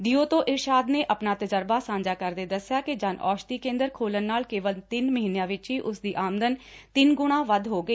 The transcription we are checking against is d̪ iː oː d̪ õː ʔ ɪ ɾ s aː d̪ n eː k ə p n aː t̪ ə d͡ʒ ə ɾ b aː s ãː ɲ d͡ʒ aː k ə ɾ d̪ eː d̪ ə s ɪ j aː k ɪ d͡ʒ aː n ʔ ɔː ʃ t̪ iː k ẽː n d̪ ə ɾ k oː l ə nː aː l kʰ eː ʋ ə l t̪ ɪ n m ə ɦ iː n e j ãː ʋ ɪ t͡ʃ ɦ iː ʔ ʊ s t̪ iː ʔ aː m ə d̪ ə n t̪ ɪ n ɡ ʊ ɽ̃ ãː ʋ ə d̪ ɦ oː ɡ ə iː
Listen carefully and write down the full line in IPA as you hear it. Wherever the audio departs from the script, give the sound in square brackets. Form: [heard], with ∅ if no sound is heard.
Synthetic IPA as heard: d̪ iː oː [t̪] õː ʔ ɪ ɾ [ʃ] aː d̪ n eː [ʔ] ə p n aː t̪ ə d͡ʒ ə ɾ b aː s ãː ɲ d͡ʒ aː k ə ɾ d̪ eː d̪ ə s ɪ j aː k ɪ d͡ʒ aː n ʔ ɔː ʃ t̪ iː k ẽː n d̪ ə ɾ [kʰ] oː l ə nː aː l [k] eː ʋ ə l t̪ ɪ n m ə ɦ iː n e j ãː ʋ ɪ t͡ʃ ɦ iː ʔ ʊ s [d̪] iː ʔ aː m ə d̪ ə n t̪ ɪ n ɡ ʊ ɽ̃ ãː ʋ ə d̪ ɦ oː ɡ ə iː